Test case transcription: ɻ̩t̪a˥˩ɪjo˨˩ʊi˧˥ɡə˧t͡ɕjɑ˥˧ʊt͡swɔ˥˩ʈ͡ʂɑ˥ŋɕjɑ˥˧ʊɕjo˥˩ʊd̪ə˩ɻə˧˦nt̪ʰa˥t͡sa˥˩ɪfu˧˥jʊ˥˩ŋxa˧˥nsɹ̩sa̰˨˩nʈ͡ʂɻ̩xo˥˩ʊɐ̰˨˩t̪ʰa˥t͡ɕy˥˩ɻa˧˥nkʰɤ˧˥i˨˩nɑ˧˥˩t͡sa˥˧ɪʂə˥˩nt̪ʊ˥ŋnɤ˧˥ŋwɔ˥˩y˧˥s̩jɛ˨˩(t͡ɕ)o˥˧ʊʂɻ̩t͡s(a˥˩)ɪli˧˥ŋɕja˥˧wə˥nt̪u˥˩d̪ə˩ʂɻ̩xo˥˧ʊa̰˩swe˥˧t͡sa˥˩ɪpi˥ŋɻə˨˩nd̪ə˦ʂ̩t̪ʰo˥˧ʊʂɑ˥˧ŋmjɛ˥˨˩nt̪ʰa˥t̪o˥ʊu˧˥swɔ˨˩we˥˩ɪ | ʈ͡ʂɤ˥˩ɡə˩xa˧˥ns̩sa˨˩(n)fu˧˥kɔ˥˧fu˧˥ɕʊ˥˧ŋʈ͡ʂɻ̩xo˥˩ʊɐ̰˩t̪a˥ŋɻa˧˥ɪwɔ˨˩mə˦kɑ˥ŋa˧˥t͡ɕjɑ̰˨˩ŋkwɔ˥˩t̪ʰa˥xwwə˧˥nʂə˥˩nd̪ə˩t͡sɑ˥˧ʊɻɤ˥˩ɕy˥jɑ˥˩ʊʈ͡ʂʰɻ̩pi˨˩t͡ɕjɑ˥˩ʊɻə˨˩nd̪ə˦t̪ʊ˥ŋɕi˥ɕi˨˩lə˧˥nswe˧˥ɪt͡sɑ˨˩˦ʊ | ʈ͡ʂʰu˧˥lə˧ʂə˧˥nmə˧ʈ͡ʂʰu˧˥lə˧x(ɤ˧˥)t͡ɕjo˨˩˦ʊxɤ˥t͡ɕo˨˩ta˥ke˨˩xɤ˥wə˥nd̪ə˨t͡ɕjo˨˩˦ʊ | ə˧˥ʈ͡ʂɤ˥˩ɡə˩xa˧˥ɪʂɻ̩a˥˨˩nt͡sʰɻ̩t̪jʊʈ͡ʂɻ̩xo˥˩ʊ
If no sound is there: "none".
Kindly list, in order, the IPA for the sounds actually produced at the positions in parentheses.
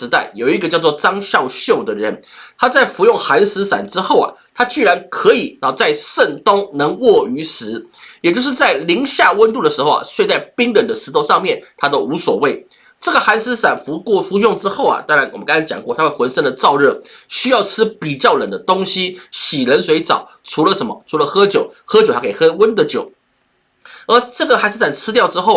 t͡ɕ, a˥˩, n, ɤ˥

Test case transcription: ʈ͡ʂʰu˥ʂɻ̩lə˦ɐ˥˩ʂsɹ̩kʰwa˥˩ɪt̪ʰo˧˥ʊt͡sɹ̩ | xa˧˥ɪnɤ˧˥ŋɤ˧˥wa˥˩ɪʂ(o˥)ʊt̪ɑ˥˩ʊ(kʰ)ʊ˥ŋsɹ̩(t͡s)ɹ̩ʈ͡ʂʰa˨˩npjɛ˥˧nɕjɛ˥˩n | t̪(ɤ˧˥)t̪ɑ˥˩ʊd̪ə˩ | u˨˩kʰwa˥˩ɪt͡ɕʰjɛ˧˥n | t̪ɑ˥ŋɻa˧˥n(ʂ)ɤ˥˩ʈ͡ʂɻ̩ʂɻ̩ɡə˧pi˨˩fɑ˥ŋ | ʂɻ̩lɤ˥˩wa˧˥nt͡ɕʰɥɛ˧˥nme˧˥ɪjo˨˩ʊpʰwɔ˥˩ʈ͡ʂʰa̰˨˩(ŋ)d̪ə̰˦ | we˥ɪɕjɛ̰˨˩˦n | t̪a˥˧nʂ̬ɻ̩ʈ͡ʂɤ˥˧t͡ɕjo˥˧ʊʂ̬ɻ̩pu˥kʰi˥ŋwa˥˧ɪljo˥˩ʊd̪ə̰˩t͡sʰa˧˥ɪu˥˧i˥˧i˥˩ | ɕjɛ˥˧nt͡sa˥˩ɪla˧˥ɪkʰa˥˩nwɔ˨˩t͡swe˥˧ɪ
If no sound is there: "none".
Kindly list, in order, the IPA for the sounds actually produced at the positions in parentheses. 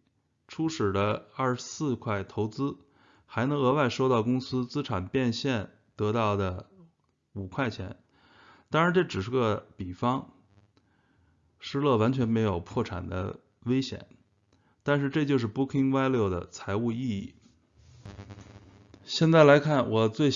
o˥, k, t͡s, ɤ˧˥, ʈ͡ʂ, n

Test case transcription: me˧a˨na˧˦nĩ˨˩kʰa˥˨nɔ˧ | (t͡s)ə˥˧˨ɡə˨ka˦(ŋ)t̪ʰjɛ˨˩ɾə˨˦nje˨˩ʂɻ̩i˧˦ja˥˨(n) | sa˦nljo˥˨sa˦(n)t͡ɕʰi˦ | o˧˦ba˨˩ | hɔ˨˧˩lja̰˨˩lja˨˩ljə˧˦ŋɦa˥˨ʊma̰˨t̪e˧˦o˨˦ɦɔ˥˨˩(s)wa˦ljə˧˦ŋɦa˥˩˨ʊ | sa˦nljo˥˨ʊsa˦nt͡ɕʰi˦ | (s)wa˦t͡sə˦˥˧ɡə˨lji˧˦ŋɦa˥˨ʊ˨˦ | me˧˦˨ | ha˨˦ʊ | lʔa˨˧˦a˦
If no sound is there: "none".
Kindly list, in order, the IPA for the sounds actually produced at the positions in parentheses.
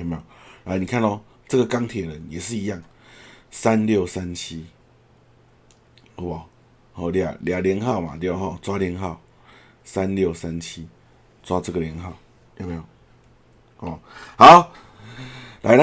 t͡s, ŋ, ŋ, n, t͡s, t͡s

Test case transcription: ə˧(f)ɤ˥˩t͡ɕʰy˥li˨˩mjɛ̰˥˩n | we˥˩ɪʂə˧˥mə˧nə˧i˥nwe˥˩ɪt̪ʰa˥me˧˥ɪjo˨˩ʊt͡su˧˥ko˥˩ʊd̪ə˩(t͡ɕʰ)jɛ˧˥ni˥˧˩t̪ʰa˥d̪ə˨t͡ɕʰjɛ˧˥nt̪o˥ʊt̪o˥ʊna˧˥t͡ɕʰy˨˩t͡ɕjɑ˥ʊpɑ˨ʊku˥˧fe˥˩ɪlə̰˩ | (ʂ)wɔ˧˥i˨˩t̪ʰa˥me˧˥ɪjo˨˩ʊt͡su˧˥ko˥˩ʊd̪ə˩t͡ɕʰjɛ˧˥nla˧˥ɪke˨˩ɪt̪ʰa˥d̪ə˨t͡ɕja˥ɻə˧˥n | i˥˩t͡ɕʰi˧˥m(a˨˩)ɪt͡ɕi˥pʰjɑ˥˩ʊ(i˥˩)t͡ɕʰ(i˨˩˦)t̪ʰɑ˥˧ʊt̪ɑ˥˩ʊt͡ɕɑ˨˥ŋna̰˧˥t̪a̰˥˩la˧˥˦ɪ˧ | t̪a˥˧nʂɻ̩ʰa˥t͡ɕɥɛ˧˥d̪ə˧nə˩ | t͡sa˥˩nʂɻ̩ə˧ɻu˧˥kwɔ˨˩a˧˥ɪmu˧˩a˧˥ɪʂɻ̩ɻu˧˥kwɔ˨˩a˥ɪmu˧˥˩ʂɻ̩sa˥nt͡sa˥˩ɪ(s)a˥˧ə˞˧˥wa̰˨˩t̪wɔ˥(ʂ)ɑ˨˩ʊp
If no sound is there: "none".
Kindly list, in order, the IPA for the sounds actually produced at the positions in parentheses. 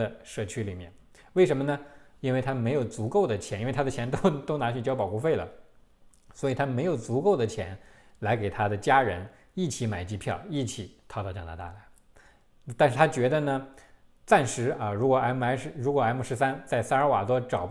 ʂ, t͡ɕʰ, s, a˨˩, i˥˩, i˨˩˦, s, ʈ͡ʂ

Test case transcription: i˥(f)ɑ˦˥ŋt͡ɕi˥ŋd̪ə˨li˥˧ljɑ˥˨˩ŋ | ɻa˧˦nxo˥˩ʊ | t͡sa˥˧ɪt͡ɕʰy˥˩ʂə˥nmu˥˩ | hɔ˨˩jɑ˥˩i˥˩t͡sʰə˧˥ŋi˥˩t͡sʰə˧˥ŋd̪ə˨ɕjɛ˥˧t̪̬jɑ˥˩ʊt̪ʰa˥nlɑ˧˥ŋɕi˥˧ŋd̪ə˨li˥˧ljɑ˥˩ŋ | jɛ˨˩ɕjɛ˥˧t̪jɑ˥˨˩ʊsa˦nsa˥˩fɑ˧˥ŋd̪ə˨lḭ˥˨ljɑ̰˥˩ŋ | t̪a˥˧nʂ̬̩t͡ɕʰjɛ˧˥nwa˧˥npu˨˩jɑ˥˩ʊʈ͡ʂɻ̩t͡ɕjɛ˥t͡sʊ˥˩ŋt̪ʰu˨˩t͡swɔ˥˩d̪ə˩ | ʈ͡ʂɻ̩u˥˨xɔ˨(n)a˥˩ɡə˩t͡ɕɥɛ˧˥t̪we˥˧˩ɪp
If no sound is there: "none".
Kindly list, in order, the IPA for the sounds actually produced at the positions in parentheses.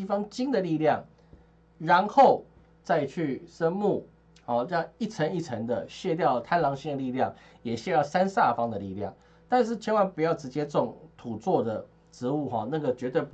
f, n

